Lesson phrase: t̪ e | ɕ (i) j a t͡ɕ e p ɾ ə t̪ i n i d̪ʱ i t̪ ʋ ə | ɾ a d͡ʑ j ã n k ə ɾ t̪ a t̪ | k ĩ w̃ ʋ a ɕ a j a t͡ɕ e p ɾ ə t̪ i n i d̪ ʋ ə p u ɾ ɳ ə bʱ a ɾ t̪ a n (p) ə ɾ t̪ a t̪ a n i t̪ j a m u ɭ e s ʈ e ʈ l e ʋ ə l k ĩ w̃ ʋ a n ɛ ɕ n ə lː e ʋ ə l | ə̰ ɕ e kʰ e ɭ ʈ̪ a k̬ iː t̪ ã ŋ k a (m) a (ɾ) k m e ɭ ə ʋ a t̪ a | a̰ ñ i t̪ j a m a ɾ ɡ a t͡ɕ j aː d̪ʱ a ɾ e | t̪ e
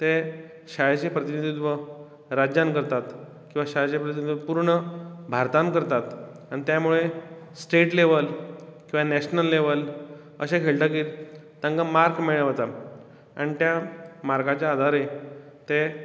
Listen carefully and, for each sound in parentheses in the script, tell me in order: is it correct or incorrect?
incorrect: a, incorrect: k, correct, correct

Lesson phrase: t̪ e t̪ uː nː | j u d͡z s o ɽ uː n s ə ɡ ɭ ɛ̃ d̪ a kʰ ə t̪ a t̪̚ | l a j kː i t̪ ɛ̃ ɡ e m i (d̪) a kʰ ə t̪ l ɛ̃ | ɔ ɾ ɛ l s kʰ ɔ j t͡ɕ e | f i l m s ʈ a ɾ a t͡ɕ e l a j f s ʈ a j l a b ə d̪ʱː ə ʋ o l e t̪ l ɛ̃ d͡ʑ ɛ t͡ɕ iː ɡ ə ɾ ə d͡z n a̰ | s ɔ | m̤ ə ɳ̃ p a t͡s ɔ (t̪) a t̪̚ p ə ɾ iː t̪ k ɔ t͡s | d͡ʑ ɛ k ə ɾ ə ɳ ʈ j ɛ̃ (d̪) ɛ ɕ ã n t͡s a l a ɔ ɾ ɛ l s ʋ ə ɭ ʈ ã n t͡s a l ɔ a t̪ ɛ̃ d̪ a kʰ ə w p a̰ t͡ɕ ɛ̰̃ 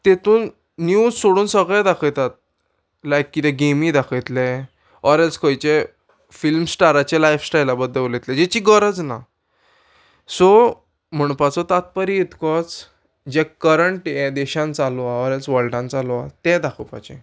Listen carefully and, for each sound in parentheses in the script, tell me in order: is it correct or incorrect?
correct, correct, correct

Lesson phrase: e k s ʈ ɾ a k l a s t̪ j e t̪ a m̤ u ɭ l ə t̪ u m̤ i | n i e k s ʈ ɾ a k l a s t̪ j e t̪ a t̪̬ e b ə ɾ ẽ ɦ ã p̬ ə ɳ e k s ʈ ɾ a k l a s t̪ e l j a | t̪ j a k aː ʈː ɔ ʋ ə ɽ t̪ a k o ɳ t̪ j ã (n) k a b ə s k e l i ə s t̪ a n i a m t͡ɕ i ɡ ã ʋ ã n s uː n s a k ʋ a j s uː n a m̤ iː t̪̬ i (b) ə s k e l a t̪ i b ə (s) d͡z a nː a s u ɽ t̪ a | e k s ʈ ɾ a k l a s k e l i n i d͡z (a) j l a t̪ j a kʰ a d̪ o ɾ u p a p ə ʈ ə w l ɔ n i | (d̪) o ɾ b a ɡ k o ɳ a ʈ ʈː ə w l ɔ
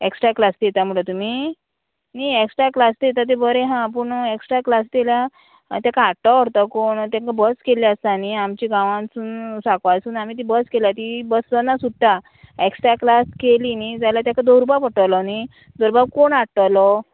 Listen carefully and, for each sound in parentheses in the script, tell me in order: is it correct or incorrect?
incorrect: ŋ, correct, correct, correct, correct

